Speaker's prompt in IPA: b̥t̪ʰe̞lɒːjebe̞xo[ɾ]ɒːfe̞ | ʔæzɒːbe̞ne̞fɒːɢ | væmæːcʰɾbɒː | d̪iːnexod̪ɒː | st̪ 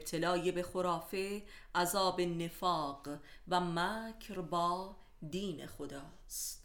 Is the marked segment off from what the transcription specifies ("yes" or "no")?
no